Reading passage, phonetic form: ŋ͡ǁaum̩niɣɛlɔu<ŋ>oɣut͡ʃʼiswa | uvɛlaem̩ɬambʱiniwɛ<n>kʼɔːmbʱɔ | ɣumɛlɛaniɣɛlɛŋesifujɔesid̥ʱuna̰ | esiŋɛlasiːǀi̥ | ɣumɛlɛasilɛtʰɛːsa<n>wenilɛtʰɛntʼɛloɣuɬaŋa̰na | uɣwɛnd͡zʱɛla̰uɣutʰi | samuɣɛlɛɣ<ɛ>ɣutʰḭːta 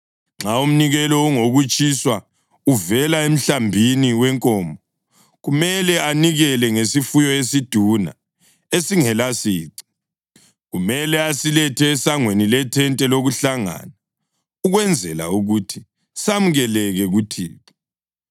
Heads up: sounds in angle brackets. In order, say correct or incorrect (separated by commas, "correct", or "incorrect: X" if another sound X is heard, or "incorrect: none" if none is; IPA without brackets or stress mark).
correct, incorrect: ŋ, incorrect: ŋ, correct